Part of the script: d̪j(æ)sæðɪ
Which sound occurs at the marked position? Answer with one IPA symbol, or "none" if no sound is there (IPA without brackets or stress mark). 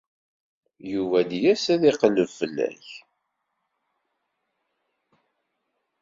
æ